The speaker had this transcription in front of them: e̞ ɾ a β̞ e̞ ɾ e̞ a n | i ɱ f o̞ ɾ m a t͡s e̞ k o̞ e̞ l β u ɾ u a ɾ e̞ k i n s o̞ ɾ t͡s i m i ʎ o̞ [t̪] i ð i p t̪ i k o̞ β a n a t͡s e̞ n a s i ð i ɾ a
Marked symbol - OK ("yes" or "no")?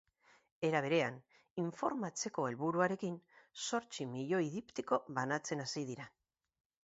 no